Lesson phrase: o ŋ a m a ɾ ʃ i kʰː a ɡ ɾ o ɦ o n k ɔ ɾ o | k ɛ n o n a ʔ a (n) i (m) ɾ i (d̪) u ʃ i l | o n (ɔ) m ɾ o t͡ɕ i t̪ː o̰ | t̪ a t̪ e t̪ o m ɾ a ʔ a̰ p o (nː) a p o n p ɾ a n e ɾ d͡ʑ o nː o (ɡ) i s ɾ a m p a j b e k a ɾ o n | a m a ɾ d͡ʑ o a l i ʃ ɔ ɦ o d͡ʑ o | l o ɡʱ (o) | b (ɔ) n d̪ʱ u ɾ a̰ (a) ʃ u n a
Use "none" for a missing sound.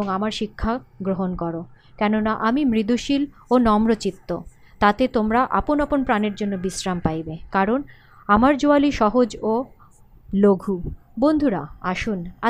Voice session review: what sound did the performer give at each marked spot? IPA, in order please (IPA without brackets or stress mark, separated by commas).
m, m, d̪, ɔ, n, b, u, o, a